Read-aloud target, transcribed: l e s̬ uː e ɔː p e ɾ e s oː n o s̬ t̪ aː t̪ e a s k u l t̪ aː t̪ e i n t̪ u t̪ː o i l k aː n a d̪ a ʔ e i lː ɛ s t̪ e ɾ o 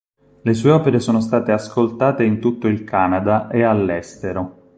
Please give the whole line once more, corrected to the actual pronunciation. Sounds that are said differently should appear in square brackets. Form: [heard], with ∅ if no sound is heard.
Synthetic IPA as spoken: l e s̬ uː e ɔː p e ɾ e s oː n o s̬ t̪ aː t̪ e a s k [o] l t̪ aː t̪ e i n t̪ u t̪ː o i l k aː n a d̪ a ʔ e [a] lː ɛ s t̪ e ɾ o